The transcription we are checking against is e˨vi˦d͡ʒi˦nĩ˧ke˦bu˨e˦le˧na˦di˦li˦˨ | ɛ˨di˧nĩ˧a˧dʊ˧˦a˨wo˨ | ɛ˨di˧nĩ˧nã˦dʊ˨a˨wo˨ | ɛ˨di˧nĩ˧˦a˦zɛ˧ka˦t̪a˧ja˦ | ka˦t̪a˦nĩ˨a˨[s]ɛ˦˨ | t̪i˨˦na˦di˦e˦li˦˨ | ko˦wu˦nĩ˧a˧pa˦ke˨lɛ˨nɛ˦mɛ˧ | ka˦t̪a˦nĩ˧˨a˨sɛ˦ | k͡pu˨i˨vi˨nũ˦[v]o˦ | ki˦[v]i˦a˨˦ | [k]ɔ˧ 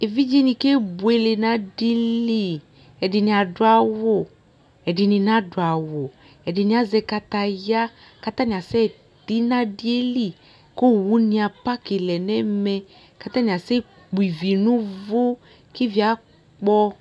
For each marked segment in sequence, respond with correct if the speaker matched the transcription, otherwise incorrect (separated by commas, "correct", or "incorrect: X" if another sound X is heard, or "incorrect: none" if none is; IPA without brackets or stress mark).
correct, correct, correct, incorrect: k͡p